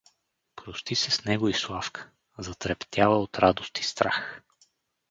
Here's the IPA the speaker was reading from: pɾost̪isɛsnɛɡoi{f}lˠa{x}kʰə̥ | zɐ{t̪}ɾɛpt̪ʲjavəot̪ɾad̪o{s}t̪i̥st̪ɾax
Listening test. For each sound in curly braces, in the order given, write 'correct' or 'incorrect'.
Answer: incorrect: s, incorrect: f, correct, correct

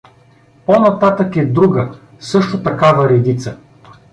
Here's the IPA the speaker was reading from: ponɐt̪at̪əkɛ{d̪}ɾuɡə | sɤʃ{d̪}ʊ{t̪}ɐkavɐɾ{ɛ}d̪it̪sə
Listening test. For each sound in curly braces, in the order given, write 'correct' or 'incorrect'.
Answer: correct, incorrect: t̪, correct, correct

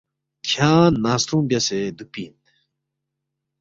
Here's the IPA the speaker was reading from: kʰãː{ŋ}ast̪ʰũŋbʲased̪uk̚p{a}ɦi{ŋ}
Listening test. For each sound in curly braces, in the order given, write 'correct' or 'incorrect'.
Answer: incorrect: n, incorrect: i, incorrect: n

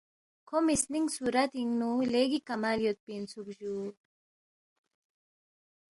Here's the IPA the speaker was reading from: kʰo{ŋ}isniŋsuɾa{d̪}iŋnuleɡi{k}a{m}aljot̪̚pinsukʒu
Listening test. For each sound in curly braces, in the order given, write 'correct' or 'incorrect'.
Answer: incorrect: m, incorrect: t̪, correct, correct

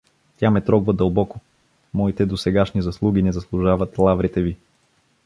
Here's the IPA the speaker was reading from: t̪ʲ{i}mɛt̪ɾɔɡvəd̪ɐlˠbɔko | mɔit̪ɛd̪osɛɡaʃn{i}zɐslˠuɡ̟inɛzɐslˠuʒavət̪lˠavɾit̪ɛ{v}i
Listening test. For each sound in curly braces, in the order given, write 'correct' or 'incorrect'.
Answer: incorrect: a, correct, correct

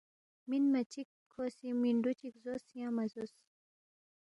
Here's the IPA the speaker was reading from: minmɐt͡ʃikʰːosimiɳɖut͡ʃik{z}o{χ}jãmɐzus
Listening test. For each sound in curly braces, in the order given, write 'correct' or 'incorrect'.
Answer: correct, incorrect: s

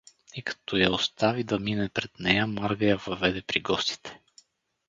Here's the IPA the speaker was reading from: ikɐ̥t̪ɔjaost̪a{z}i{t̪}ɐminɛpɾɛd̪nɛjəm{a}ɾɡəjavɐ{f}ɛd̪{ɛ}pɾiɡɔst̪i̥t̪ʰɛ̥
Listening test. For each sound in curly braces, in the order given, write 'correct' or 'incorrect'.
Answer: incorrect: v, incorrect: d̪, correct, incorrect: v, correct

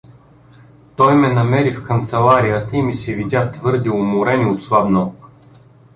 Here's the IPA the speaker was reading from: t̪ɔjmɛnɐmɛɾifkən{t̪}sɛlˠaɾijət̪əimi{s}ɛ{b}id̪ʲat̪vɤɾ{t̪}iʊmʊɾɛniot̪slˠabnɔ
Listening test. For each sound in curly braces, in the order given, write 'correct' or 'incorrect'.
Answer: correct, correct, incorrect: v, incorrect: d̪

